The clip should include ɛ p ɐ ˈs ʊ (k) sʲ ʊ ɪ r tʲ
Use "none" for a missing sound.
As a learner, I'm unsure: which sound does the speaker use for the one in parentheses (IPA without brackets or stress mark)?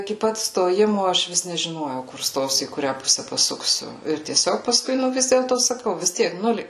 k